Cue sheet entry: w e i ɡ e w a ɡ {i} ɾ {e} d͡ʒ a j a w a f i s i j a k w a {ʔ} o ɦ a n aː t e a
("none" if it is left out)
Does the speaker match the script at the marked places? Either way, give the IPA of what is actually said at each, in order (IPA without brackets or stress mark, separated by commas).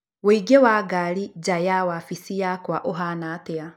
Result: a, i, ʔ